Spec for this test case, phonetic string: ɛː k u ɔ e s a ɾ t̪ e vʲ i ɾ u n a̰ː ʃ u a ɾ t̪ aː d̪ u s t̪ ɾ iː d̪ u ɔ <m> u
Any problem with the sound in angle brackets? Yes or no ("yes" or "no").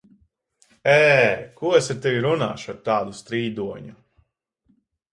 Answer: yes